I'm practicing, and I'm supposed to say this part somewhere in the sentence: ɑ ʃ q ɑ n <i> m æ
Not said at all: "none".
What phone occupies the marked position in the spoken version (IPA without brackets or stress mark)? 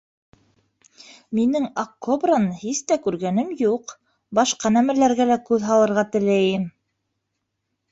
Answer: æ